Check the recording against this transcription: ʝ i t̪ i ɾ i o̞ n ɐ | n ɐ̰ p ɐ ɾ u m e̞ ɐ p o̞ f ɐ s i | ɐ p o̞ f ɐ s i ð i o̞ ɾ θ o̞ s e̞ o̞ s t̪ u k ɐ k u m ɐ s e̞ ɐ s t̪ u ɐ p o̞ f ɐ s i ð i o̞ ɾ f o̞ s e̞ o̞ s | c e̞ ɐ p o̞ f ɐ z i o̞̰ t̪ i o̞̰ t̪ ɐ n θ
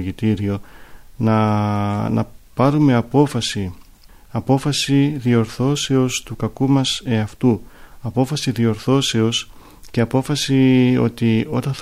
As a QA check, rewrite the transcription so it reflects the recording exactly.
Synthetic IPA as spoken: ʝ i t̪ i ɾ i o̞ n ɐ | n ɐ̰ p ɐ ɾ u m e̞ ɐ p o̞ f ɐ s i | ɐ p o̞ f ɐ s i ð i o̞ ɾ θ o̞ s e̞ o̞ s t̪ u k ɐ k u m ɐ s e̞ ɐ f t̪ u ɐ p o̞ f ɐ s i ð i o̞ ɾ θ o̞ s e̞ o̞ s | c e̞ ɐ p o̞ f ɐ s i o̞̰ t̪ i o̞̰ t̪ ɐ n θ